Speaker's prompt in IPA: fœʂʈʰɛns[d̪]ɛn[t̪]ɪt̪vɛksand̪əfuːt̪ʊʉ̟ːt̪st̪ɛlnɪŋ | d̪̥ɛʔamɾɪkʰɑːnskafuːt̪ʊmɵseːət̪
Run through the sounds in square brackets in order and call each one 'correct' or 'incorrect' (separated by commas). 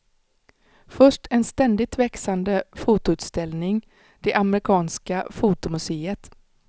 incorrect, incorrect